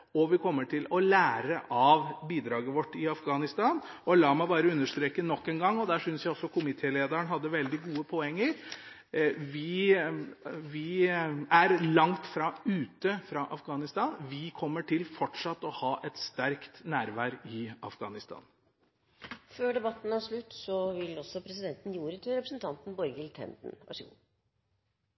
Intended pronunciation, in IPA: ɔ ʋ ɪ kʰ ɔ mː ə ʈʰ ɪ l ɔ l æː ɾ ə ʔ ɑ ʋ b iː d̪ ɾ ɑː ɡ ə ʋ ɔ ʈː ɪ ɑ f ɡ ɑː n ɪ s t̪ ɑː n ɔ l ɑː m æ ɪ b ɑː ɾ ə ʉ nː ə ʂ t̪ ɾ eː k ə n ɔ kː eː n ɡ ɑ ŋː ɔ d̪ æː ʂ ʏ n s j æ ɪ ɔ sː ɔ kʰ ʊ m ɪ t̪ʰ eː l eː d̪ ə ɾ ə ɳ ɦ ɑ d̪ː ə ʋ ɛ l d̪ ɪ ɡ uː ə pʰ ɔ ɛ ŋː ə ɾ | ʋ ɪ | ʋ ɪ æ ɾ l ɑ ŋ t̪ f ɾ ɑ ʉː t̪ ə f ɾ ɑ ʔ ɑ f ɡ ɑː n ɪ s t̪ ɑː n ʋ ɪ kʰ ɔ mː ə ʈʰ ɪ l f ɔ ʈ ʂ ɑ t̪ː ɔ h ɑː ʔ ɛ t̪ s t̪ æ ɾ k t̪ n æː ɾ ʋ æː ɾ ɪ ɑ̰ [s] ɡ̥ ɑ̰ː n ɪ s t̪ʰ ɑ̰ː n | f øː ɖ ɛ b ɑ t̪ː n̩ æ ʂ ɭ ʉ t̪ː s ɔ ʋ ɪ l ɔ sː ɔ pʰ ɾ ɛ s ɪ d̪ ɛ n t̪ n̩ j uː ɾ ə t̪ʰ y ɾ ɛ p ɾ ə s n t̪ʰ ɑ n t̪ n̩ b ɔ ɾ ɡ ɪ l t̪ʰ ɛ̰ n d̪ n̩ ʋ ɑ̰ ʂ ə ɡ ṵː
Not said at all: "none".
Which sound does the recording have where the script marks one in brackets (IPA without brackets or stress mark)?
f